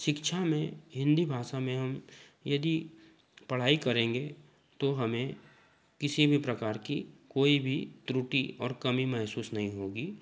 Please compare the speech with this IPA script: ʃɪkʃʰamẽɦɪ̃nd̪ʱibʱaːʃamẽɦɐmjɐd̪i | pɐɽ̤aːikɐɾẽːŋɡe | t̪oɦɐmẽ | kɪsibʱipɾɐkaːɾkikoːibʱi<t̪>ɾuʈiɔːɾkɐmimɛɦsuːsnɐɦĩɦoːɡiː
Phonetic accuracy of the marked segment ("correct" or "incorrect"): correct